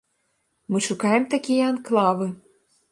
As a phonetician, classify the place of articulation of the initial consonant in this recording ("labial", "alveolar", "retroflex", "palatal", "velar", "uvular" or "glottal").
labial